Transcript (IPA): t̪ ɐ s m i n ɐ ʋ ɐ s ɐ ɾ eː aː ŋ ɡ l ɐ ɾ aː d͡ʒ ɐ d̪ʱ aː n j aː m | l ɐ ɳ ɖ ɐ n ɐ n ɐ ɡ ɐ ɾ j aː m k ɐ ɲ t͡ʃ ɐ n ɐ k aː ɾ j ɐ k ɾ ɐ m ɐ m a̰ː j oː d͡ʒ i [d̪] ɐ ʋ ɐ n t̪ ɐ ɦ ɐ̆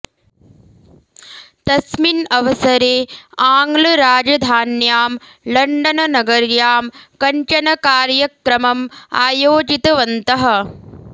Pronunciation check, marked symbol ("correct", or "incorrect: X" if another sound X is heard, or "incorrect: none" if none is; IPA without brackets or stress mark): incorrect: t̪